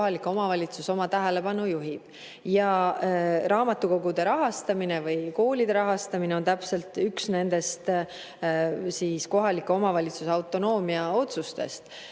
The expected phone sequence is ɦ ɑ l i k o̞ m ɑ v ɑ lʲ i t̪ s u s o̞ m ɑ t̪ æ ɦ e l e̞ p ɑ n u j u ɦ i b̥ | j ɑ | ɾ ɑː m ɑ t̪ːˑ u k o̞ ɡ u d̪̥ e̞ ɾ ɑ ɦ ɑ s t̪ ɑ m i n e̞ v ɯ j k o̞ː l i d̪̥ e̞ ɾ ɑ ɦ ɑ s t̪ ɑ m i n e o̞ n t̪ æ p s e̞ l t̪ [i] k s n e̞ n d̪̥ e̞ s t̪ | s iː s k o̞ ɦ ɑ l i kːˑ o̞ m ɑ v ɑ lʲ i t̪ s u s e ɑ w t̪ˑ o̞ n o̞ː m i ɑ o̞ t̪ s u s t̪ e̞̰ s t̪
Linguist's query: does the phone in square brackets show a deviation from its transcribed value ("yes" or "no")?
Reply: yes